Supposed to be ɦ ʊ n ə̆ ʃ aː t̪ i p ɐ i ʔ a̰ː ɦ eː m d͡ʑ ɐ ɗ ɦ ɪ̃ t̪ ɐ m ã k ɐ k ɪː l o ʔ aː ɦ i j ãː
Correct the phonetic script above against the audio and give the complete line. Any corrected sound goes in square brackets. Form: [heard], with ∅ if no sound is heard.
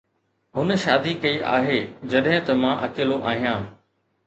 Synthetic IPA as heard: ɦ ʊ n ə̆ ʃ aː [d̪] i [k] ɐ i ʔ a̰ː ɦ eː [∅] d͡ʑ ɐ ɗ ɦ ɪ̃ t̪ ɐ m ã [ʔ] ɐ k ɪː l o ʔ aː ɦ i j ãː